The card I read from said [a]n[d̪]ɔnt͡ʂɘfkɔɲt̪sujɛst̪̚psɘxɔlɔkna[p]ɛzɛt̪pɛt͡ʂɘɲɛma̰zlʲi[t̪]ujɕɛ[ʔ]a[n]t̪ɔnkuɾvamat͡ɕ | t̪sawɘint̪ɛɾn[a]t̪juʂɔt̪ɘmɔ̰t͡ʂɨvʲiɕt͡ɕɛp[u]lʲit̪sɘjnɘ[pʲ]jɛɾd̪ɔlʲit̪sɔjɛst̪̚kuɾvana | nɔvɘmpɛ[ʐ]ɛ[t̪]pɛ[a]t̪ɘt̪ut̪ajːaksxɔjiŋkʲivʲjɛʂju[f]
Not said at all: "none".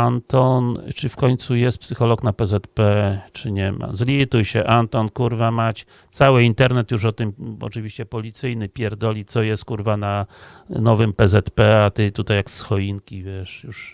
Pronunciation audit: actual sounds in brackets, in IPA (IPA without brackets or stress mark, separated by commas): a, t̪, p, t̪, ʔ, n, ɛ, ɔ, pʲ, z, t̪, a, ʂ